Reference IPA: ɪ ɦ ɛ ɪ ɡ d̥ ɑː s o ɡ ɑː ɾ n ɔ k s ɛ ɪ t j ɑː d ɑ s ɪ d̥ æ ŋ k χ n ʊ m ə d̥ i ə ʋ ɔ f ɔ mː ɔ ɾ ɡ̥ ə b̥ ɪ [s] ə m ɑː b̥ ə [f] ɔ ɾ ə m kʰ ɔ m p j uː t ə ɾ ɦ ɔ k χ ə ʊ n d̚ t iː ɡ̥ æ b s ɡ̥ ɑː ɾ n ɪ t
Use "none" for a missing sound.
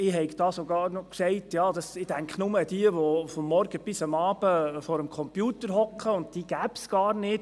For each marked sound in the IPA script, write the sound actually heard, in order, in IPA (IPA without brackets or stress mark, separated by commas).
s, f